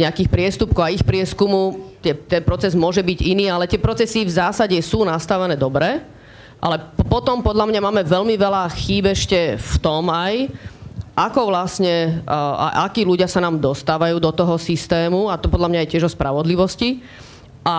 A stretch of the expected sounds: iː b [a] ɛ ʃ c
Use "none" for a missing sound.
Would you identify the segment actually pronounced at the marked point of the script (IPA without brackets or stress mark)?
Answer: ɛ